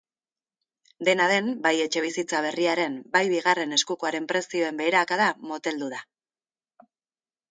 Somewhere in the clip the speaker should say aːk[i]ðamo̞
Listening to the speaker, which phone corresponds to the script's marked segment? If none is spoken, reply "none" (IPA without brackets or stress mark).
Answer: a